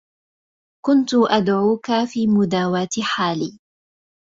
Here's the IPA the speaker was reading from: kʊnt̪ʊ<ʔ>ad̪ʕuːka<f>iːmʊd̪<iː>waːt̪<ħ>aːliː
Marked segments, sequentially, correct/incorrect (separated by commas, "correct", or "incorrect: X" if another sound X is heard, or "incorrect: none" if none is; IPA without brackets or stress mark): correct, correct, incorrect: aː, correct